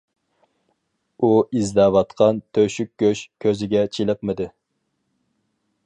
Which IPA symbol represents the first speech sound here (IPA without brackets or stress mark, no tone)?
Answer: u